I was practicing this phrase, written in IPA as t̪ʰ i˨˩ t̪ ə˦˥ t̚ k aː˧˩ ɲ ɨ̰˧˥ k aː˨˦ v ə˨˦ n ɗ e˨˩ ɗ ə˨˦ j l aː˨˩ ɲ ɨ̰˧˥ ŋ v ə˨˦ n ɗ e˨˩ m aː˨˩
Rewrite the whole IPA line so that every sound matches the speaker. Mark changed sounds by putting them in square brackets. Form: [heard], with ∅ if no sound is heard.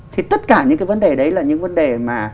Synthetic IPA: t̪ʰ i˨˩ t̪ ə˦˥ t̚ k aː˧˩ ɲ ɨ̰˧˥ k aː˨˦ v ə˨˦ n ɗ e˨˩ ɗ ə˨˦ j l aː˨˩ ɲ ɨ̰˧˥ ŋ v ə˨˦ n ɗ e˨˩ m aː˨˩